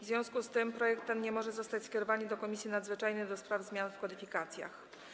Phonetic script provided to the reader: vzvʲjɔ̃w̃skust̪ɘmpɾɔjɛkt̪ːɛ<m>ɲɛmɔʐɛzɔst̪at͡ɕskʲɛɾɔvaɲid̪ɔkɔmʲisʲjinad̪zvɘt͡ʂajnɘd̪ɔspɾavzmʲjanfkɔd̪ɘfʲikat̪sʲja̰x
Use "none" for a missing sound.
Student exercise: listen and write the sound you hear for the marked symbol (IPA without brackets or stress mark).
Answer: n